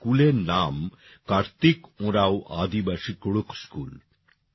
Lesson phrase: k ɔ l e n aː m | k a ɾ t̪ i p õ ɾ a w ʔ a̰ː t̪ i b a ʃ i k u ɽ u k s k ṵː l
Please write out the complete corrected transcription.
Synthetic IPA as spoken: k u l e n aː m | k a ɾ t̪ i k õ ɾ a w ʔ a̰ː d̪ i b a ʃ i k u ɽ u k s k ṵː l